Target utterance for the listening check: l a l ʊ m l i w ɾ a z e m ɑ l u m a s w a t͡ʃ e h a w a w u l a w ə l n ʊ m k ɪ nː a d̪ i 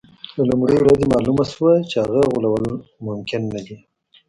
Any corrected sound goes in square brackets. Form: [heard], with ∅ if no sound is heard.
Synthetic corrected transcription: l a l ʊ m [ɽ] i w ɾ a z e m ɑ l u m a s w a t͡ʃ e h a [ɣ] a [ɣ] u l a w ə l [m] ʊ m k ɪ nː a d̪ i